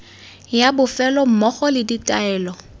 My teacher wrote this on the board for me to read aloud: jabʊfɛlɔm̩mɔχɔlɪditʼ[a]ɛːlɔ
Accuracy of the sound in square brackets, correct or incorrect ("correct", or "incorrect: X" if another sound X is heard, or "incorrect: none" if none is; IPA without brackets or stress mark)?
correct